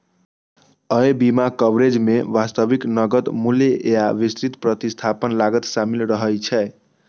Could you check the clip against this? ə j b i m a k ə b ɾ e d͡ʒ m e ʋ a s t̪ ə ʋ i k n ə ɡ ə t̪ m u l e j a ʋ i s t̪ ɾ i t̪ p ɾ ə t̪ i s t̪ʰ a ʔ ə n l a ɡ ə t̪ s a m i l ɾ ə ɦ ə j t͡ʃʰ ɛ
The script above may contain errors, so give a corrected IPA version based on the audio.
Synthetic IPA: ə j b i m a k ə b ɾ e d͡ʒ m e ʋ a s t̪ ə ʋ i k n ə ɡ ə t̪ m u l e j a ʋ i s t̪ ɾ i t̪ p ɾ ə t̪ i s t̪ʰ a p ə n l a ɡ ə t̪ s a m i l ɾ ə ɦ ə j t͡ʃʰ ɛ